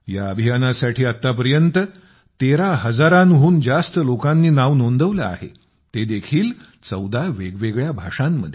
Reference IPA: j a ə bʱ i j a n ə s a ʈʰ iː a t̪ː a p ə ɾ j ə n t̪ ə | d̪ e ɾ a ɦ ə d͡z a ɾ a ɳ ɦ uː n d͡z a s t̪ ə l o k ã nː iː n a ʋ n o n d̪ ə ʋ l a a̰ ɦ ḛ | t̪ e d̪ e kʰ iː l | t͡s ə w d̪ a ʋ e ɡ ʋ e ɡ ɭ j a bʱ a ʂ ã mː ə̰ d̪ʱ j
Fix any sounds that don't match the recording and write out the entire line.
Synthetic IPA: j a ə bʱ i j a n a s a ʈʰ iː a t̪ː a p ə ɾ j ə n t̪ ə | t̪ e ɾ a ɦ ə d͡z a ɾ a n ɦ uː n d͡z a s t̪ ə l o k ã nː iː n a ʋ n o n d̪ ə ʋ l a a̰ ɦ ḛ | t̪ e d̪ e kʰ iː l | t͡s ə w d̪ a ʋ e ɡ ʋ e ɡ ɭ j a bʱ a ʂ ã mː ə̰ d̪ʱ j